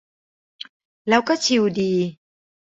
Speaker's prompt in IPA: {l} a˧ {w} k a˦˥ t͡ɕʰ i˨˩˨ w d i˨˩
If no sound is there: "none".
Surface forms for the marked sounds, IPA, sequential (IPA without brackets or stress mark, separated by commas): l, w